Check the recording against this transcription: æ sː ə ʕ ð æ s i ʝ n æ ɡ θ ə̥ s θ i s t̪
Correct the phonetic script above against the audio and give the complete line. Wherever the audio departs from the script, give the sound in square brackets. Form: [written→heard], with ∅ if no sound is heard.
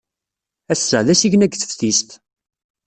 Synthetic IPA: æ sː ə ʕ ð æ s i ʝ n æ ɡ θ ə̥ [s→f] θ i s t̪